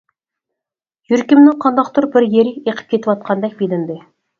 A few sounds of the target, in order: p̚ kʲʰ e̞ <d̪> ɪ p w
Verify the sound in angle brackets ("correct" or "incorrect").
incorrect